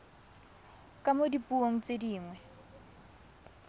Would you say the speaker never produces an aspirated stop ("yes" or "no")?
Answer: yes